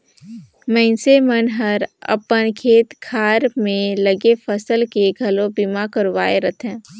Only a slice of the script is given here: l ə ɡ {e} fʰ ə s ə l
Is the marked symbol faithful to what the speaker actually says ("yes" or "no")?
yes